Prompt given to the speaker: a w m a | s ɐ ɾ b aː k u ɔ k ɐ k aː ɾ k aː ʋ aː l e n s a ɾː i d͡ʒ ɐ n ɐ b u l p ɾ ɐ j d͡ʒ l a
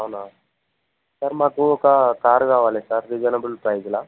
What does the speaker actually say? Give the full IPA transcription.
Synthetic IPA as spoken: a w n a | s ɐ ɾ m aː k u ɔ k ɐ k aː ɾ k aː ʋ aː l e s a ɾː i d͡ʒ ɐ n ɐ b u l p ɾ ɐ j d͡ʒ l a